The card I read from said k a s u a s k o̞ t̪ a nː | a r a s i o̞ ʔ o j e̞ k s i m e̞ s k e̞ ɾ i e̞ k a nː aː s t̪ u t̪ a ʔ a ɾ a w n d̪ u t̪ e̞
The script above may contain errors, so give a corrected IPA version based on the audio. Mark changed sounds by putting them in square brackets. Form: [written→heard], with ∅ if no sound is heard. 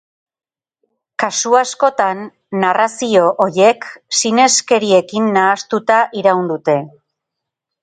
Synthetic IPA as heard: k a s u a s k o̞ t̪ a nː | a r a s i o̞ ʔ o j e̞ k s i [m→n] e̞ s k e̞ ɾ i e̞ k [a→i] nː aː s t̪ u t̪ a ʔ [a→i] ɾ a w n d̪ u t̪ e̞

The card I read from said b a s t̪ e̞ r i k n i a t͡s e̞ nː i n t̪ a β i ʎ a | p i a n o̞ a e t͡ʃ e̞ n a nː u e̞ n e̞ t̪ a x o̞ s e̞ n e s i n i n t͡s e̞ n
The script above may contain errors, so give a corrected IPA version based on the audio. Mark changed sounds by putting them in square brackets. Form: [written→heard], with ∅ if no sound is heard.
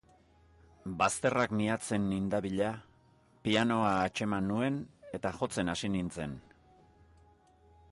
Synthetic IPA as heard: b a s t̪ e̞ r [i→a] k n i a t͡s e̞ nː i n [t̪→d̪] a β i ʎ a | p i a n o̞ a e t͡ʃ e̞ [n→m] a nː u e̞ n e̞ t̪ a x o̞ [s→t͡s] e̞ n [e→a] s i n i n t͡s e̞ n

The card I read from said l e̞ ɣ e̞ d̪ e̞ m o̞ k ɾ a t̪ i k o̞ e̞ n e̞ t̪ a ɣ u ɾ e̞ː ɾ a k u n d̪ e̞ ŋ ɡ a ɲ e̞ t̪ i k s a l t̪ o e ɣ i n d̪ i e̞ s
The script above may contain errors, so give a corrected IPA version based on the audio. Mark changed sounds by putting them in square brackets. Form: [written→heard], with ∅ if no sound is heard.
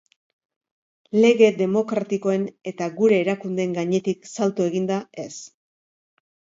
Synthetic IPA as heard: l e̞ ɣ e̞ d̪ e̞ m o̞ k ɾ a t̪ i k o̞ e̞ n e̞ t̪ a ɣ u ɾ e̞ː ɾ a k u n d̪ e̞ ŋ ɡ a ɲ e̞ t̪ i k s a l t̪ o e ɣ i n d̪ [i→a] e̞ s

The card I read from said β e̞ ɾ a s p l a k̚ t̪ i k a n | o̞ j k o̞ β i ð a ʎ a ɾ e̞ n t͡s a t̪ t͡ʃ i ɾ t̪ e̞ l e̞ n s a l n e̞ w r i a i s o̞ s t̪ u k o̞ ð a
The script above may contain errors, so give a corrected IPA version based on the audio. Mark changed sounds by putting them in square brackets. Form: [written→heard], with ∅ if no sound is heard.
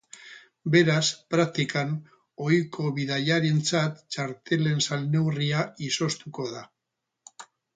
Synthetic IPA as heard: [β→b] e̞ ɾ a s p [l→ɾ] a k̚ t̪ i k a n | o̞ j k o̞ β i ð a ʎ a ɾ e̞ n t͡s a t̪ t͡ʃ [i→a] ɾ t̪ e̞ l e̞ n s a l n e̞ w r i a i s o̞ s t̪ u k o̞ ð a

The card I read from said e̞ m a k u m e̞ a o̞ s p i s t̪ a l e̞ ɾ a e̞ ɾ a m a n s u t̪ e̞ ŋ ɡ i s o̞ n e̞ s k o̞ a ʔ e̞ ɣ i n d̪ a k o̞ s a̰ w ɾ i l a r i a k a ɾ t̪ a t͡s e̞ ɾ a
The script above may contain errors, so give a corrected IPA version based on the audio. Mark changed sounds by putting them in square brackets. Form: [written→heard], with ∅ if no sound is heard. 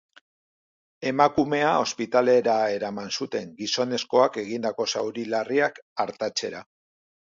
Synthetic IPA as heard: e̞ m a k u m e̞ a o̞ s p i [s→∅] t̪ a l e̞ ɾ a e̞ ɾ a m a n s u t̪ e̞ ŋ ɡ i s o̞ n e̞ s k o̞ a [ʔ→k] e̞ ɣ i n d̪ a k o̞ s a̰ w ɾ i l a r i a k a ɾ t̪ a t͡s e̞ ɾ a

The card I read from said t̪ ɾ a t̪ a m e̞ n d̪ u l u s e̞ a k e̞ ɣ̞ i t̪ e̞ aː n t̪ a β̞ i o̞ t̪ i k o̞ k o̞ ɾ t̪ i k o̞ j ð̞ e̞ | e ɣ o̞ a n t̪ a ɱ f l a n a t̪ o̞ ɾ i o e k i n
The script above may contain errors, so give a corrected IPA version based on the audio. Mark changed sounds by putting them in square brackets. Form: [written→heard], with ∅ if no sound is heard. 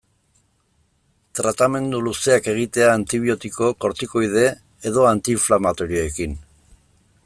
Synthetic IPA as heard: t̪ ɾ a t̪ a m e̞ n d̪ u l u s e̞ a k e̞ ɣ̞ i t̪ e̞ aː n t̪ [a→i] β̞ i o̞ t̪ i k o̞ k o̞ ɾ t̪ i k o̞ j ð̞ e̞ | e [ɣ→ð] o̞ a n t̪ [a→i] ɱ f l a [n→m] a t̪ o̞ ɾ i o e k i n

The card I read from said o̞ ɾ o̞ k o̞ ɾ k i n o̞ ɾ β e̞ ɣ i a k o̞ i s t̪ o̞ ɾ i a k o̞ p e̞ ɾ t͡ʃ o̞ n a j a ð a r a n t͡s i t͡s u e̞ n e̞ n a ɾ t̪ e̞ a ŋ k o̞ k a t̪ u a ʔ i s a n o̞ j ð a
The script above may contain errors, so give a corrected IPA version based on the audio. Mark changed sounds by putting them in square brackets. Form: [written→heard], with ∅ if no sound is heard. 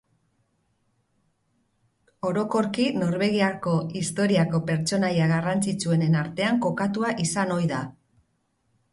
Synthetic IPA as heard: o̞ ɾ o̞ k o̞ ɾ k i n o̞ ɾ β e̞ ɣ i a k o̞ i s t̪ o̞ ɾ i a k o̞ p e̞ ɾ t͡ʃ o̞ n a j a [ð→ɣ] a r a n t͡s i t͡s u e̞ n e̞ n a ɾ t̪ e̞ a ŋ k o̞ k a t̪ u a ʔ i s a n o̞ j ð a

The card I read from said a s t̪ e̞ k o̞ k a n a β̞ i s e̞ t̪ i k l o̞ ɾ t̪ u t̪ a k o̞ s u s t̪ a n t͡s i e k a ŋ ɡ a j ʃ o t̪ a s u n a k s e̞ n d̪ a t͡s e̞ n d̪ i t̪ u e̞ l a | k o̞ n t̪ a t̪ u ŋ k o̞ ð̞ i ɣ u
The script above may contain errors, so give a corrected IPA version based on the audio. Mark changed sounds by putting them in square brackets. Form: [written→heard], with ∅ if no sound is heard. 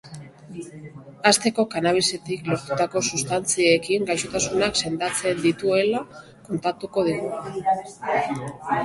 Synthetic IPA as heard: a s t̪ e̞ k o̞ k a n a β̞ i s e̞ t̪ i k l o̞ ɾ t̪ u t̪ a k o̞ s u s t̪ a n t͡s i e k [a→i] ŋ ɡ a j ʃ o t̪ a s u n a k s e̞ n d̪ a t͡s e̞ n d̪ i t̪ u e̞ l a | k o̞ n t̪ a t̪ u [ŋ→∅] k o̞ ð̞ i ɣ u

